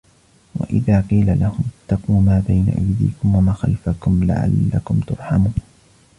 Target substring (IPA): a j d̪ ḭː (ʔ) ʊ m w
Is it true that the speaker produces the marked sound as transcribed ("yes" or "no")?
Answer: no